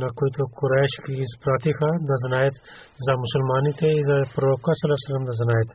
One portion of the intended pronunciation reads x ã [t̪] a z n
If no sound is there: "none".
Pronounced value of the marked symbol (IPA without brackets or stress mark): d̪